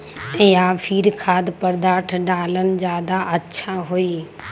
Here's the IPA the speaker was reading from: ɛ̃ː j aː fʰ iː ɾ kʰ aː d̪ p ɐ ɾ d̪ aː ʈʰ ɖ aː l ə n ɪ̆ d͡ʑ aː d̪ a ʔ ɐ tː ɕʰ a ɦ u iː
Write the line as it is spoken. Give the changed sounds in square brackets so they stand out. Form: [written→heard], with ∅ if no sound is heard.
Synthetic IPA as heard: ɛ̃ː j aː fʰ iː ɾ kʰ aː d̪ p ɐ ɾ d̪ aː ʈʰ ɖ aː l ə n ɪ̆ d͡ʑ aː d̪ a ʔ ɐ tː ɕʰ a ɦ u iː